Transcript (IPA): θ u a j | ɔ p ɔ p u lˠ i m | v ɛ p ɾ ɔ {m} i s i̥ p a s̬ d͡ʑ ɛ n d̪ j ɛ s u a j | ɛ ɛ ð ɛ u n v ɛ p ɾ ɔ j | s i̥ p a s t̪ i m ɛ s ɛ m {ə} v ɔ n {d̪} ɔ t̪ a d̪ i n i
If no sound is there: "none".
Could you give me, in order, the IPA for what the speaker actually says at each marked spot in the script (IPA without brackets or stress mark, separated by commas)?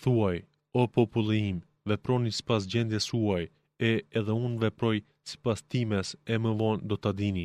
n, ə, d̪